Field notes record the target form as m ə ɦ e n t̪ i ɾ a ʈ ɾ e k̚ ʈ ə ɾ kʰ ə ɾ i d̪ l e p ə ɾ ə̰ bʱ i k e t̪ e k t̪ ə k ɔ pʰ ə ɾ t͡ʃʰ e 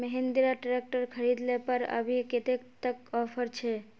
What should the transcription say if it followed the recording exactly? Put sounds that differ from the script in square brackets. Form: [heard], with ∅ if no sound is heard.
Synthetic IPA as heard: m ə ɦ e n [d̪] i ɾ a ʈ ɾ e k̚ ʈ ə ɾ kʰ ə ɾ i d̪ l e p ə ɾ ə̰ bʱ i k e t̪ e k t̪ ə k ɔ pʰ ə ɾ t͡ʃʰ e